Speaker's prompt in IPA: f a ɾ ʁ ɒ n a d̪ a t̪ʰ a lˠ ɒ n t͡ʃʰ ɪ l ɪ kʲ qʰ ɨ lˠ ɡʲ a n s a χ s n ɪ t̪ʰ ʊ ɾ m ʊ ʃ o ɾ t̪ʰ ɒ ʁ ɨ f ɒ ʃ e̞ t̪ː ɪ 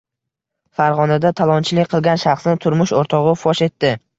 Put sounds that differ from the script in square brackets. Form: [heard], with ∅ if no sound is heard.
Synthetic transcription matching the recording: f a ɾ ʁ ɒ n a d̪ a t̪ʰ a lˠ ɒ n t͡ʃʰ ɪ l ɪ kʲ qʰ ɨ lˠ ɡʲ a n [ʃ] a χ s n ɪ t̪ʰ ʊ ɾ m ʊ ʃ o ɾ t̪ʰ ɒ ʁ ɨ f ɒ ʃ e̞ t̪ː ɪ